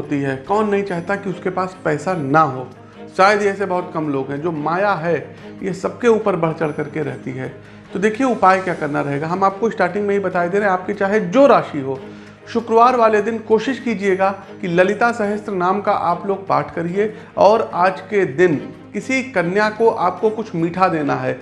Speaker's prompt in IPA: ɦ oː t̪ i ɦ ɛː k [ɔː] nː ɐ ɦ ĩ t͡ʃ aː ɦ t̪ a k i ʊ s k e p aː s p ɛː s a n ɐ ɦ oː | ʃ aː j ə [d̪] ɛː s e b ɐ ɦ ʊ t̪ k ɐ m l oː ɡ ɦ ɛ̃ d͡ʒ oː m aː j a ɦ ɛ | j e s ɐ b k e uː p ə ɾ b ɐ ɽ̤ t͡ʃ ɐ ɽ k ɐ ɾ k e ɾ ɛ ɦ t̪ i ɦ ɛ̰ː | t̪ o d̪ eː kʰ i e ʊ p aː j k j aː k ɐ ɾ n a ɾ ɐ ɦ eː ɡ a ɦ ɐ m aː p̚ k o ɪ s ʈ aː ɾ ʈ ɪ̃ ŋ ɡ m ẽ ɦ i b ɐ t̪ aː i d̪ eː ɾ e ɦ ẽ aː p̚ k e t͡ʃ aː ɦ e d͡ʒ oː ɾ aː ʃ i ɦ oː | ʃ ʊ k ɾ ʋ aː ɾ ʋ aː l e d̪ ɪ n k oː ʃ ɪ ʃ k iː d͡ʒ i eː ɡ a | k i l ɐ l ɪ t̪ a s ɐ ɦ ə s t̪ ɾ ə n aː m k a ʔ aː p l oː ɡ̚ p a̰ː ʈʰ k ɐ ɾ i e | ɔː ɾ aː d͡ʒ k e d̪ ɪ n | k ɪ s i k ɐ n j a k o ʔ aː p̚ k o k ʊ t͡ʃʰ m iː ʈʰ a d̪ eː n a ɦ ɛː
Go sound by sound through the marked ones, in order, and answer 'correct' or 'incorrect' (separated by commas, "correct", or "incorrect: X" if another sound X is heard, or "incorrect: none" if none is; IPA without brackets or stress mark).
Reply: correct, correct